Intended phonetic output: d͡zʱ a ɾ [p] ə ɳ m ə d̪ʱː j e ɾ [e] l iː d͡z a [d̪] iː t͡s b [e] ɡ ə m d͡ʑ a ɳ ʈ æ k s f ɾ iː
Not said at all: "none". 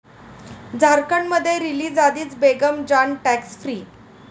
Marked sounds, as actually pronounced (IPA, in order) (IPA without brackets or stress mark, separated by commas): k, i, d̪, e